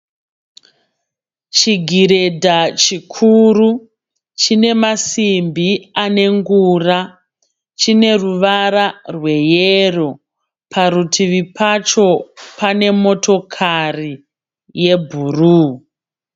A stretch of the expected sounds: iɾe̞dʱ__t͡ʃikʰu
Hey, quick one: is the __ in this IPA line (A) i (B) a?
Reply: B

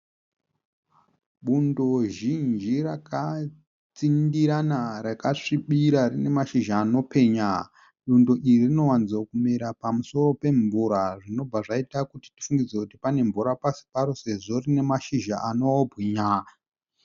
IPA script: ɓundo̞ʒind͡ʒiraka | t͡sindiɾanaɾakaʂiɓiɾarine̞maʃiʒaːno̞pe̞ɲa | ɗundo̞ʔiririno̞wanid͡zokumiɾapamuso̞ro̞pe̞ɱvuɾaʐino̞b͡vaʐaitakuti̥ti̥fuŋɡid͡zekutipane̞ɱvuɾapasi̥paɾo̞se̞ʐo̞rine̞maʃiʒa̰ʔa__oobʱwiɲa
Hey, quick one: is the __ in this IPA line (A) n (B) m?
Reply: A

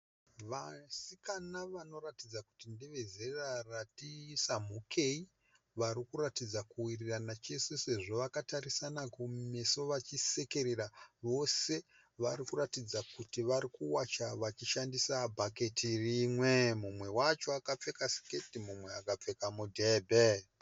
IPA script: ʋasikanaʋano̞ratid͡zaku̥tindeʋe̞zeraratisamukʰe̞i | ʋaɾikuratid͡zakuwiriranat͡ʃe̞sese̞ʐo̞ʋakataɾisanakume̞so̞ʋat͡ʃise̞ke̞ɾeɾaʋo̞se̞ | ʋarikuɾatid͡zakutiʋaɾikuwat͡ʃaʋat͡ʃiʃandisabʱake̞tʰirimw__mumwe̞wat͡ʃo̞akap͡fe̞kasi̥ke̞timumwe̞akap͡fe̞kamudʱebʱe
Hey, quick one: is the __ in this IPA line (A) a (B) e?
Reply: B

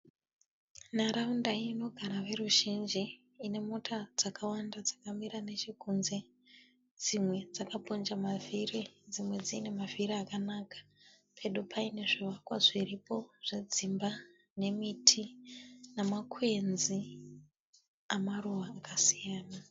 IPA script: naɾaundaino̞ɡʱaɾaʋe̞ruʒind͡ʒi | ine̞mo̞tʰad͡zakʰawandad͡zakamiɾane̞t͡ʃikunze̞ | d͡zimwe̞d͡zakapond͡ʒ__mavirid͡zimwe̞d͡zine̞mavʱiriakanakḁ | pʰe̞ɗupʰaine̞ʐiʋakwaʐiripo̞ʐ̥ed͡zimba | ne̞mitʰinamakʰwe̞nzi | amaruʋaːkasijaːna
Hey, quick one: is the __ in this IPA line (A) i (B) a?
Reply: B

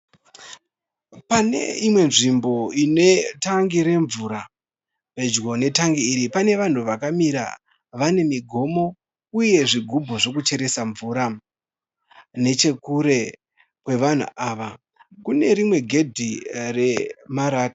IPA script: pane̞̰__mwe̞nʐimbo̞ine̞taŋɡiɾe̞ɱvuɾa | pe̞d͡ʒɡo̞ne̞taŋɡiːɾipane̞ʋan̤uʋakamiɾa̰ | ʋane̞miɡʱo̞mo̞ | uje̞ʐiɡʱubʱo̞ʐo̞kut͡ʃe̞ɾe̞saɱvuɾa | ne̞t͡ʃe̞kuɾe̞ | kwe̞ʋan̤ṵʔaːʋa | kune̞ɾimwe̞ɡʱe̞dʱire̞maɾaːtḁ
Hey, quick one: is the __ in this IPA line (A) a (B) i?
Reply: B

